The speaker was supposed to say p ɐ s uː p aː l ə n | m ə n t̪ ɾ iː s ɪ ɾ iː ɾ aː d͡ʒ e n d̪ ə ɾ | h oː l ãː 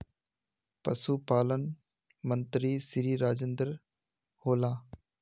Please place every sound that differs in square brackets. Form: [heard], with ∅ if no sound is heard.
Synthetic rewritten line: p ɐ s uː p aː l ə n | m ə n t̪ ɾ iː s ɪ ɾ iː ɾ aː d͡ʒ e n d̪ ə ɾ | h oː l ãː